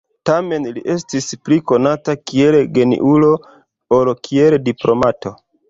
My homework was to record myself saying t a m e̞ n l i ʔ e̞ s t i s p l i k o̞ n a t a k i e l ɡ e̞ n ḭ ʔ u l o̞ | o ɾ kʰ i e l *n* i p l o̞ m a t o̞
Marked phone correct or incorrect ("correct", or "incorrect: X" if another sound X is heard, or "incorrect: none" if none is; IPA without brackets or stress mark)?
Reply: incorrect: d